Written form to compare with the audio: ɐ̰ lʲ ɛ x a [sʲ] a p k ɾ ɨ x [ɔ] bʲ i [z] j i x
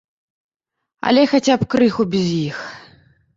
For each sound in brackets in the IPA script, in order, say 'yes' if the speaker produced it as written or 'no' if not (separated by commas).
no, no, yes